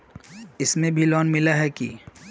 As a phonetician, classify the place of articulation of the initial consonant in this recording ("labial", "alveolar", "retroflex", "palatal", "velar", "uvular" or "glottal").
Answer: alveolar